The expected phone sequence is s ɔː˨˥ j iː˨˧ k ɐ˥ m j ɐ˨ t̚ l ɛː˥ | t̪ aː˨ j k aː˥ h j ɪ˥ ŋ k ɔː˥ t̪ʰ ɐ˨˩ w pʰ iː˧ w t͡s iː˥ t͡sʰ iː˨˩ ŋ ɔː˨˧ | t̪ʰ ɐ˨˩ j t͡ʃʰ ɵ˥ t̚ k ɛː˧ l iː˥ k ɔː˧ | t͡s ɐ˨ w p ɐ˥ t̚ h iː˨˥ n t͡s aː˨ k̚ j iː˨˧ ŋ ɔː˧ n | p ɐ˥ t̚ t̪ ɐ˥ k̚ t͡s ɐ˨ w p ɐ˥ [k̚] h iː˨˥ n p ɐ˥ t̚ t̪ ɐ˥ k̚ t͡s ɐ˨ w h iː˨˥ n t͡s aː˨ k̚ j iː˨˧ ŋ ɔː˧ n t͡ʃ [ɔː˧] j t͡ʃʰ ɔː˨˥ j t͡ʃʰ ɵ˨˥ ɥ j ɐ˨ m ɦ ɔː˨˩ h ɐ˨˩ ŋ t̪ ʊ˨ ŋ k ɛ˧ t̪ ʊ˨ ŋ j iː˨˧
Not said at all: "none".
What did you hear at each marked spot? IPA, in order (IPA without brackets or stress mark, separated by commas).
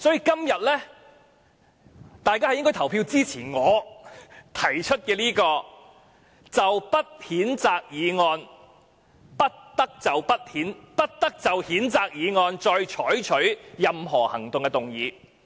t̚, ɔː˧